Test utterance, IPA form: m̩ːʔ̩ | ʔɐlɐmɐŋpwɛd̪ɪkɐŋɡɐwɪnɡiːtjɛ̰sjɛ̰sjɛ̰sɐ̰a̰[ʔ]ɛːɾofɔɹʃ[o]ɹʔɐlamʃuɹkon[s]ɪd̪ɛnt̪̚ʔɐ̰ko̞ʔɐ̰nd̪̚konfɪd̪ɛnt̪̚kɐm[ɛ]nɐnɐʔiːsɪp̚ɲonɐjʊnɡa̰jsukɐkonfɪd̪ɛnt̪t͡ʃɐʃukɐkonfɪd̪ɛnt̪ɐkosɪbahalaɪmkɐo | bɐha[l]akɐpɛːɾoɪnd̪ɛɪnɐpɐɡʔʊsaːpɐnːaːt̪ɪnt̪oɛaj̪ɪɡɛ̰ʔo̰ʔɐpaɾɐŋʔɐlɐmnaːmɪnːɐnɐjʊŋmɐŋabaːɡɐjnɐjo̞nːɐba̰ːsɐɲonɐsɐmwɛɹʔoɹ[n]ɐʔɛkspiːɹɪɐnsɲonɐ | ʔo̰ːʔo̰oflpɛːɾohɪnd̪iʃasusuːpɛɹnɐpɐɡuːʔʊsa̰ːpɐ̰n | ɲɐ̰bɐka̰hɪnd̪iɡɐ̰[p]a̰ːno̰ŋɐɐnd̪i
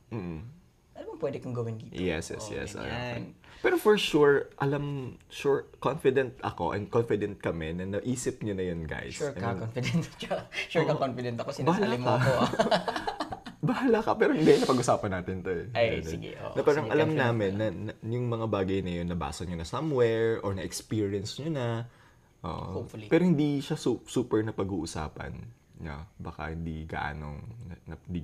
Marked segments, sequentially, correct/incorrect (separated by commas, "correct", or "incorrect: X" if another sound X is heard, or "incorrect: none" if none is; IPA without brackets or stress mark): incorrect: p, incorrect: u, incorrect: f, correct, correct, correct, incorrect: ʔ